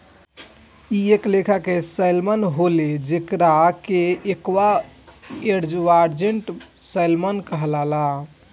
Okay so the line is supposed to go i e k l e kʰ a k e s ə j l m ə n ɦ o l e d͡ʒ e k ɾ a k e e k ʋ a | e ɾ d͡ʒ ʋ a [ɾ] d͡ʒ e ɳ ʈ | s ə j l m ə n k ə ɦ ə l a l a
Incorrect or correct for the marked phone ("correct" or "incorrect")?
correct